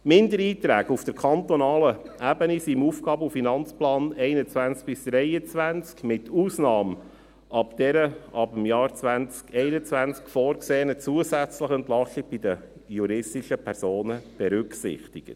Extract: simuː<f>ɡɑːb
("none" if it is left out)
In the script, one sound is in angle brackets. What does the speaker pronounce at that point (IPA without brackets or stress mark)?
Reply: f